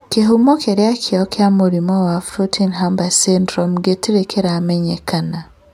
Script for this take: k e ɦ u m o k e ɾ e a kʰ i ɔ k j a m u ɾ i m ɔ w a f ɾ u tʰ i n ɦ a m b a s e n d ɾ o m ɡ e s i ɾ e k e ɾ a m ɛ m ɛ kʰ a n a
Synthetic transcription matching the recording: k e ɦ u m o k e ɾ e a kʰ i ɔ k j a m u ɾ i m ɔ w a f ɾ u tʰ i n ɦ a m b a s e n d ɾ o m ɡ e t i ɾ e k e ɾ a m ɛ ɲ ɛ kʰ a n a